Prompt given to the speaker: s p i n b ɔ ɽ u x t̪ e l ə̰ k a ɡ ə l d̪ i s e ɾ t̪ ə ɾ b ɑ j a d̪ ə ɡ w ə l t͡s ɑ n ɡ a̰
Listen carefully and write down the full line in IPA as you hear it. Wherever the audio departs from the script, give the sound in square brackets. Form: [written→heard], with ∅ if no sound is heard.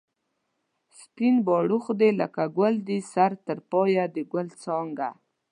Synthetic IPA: s p i n b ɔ ɽ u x [t̪→d̪] e l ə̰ k a ɡ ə l d̪ i s [e→a] ɾ t̪ ə ɾ [b→p] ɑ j a d̪ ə ɡ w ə l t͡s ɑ [n→ŋ] ɡ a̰